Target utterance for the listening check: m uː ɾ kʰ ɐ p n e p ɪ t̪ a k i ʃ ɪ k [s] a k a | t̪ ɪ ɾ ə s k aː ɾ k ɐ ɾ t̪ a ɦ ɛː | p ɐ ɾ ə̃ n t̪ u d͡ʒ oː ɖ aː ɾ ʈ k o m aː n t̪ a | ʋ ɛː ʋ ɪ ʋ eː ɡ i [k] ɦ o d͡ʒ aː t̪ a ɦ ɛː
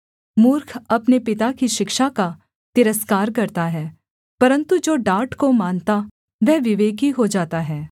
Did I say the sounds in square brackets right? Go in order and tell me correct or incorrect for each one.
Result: incorrect: ʃ, incorrect: none

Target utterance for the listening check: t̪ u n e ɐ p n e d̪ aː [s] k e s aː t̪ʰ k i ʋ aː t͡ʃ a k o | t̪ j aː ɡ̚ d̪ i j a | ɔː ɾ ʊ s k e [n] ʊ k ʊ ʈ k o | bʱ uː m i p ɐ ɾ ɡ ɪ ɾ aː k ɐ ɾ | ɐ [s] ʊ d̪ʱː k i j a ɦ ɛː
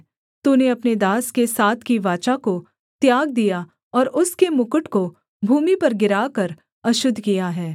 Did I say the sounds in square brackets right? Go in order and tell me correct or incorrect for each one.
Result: correct, incorrect: m, incorrect: ʃ

